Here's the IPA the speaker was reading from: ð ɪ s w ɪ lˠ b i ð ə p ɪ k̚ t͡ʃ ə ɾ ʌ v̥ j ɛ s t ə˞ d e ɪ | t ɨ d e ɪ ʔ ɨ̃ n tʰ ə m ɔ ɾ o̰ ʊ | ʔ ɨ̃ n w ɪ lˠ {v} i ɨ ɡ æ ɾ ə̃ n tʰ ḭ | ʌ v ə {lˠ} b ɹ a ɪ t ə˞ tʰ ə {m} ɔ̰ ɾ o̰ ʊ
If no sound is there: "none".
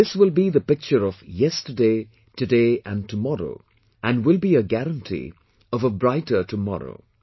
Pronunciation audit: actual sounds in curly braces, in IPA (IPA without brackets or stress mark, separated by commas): b, none, m